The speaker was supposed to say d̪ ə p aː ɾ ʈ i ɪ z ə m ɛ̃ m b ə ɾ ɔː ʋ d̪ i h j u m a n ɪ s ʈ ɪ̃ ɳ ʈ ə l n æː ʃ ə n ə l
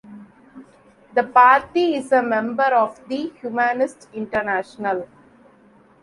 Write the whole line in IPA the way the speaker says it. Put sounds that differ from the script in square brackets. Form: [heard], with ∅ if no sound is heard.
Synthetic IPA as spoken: d̪ ə p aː ɾ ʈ i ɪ z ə m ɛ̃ m b ə ɾ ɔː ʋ d̪ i h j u m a n ɪ s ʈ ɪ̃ ɳ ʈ ə [ɾ] n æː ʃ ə n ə l